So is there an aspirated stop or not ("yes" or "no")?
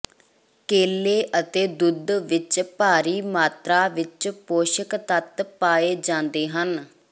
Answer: no